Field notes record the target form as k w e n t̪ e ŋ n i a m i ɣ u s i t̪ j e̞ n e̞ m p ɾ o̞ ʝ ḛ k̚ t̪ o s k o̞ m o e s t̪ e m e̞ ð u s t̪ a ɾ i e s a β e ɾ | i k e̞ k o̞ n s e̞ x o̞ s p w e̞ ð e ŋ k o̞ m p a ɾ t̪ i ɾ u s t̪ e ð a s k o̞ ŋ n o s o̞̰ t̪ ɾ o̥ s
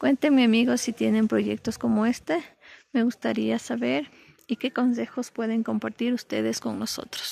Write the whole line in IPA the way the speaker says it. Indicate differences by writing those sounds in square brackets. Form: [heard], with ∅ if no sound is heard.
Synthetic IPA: k w e n t̪ e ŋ [m] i a m i ɣ [o] s i t̪ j e̞ n e̞ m p ɾ o̞ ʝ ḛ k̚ t̪ o s k o̞ m o e s t̪ e m e̞ [ɣ] u s t̪ a ɾ i [a] s a β e ɾ | i k e̞ k o̞ n s e̞ x o̞ s p w e̞ ð e ŋ k o̞ m p a ɾ t̪ i ɾ u s t̪ e ð [e] s k o̞ ŋ n o s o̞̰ t̪ ɾ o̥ s